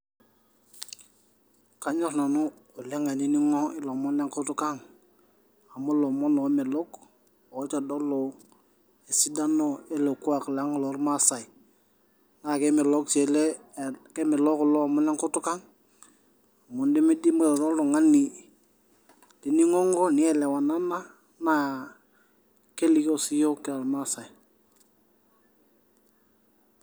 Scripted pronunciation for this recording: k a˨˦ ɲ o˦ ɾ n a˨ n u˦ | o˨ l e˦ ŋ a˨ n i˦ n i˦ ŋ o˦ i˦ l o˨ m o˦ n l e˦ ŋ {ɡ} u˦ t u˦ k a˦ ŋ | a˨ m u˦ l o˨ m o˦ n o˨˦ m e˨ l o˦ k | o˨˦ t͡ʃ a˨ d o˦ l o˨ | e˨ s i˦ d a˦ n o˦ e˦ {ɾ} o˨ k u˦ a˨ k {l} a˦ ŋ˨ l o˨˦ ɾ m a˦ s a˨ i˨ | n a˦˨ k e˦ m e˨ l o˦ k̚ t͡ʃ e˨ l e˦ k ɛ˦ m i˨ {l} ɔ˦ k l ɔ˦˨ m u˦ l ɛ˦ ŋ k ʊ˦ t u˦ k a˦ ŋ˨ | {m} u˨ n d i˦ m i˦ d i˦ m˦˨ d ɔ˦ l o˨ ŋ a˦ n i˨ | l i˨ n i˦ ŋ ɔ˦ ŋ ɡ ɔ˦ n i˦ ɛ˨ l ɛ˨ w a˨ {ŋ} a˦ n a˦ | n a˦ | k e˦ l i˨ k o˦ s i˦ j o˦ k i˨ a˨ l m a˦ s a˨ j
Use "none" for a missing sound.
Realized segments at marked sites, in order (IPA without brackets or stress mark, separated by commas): k, l, l, l, m, n